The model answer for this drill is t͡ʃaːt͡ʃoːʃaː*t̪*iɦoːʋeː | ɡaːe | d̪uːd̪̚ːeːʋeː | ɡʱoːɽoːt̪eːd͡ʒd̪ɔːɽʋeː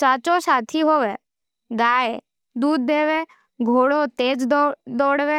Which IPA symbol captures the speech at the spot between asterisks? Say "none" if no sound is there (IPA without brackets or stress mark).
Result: t̪ʰ